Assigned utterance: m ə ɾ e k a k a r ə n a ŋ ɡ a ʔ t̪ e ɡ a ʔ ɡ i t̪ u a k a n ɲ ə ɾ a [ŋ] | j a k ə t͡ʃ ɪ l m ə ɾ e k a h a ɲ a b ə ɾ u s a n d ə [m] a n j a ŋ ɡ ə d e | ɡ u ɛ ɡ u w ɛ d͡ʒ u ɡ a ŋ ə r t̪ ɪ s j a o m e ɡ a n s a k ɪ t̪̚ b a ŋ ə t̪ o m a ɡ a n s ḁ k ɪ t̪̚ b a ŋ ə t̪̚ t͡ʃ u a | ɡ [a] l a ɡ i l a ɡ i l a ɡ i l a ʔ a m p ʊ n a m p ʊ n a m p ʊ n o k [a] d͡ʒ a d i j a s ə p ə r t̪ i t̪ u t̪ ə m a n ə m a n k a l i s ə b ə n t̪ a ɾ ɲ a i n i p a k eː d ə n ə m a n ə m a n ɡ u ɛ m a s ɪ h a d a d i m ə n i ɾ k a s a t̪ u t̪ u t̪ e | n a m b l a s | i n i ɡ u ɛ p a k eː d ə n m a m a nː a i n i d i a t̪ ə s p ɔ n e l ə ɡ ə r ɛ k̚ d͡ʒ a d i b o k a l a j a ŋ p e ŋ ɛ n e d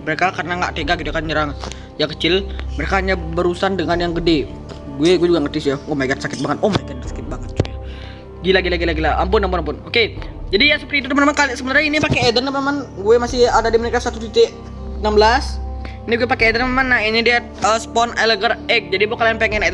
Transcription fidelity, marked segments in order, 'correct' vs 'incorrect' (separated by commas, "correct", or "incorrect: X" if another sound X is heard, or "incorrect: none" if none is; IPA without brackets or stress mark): correct, incorrect: ŋ, incorrect: i, incorrect: e